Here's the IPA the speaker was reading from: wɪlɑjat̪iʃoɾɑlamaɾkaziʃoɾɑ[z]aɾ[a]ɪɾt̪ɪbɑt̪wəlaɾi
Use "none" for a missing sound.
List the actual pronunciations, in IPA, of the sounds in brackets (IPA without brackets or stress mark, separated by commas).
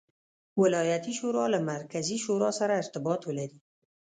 s, a